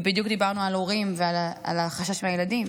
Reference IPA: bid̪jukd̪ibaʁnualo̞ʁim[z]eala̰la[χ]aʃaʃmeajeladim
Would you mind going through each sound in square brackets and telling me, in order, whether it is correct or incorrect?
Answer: incorrect, correct

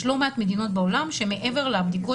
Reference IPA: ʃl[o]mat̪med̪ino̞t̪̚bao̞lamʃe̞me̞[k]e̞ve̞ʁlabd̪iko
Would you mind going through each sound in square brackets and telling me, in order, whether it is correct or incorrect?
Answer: correct, incorrect

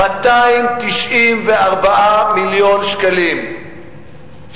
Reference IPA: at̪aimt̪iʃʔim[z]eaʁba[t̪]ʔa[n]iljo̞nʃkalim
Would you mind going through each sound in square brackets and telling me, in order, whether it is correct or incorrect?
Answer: incorrect, incorrect, incorrect

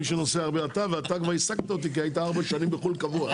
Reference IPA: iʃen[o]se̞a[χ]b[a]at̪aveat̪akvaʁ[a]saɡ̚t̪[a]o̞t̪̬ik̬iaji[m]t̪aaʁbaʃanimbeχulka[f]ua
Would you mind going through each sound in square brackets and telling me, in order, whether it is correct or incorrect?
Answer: correct, incorrect, incorrect, incorrect, correct, incorrect, incorrect

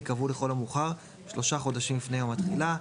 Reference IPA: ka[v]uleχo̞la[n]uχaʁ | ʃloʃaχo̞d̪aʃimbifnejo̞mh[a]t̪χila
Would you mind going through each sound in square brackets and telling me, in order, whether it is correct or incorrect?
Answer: correct, incorrect, correct

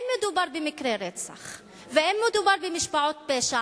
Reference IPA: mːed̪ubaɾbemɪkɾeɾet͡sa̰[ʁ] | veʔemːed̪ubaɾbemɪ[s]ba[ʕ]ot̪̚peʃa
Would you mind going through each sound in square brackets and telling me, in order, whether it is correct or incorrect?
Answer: incorrect, incorrect, correct

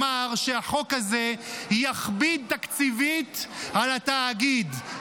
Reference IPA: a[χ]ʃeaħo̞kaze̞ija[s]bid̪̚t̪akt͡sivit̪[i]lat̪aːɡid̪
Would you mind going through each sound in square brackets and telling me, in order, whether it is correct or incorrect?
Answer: incorrect, incorrect, incorrect

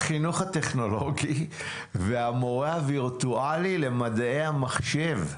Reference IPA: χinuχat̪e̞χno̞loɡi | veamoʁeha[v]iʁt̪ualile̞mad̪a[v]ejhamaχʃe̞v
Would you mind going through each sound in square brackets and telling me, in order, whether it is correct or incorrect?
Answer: correct, incorrect

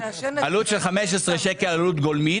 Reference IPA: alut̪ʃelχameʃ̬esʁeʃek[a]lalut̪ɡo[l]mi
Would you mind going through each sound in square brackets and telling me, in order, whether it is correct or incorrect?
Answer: incorrect, correct

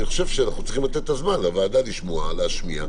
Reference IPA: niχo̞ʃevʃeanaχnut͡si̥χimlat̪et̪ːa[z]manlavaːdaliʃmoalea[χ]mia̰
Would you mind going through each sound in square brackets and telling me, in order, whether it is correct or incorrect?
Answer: correct, incorrect

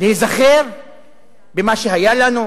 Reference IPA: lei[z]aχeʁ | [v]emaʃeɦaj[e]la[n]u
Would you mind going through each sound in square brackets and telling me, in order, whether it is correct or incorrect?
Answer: correct, incorrect, incorrect, correct

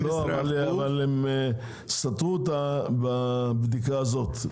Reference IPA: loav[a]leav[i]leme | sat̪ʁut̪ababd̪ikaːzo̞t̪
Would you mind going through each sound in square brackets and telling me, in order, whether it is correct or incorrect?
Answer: correct, incorrect

